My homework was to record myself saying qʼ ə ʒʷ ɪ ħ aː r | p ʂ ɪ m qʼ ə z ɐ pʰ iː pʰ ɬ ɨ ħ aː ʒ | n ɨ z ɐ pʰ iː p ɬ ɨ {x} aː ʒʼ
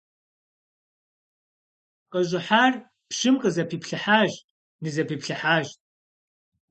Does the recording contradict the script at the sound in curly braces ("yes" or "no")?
yes